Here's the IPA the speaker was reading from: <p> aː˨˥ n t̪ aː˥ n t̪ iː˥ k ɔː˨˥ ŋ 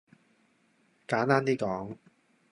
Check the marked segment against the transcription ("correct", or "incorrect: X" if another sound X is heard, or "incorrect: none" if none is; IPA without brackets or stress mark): incorrect: k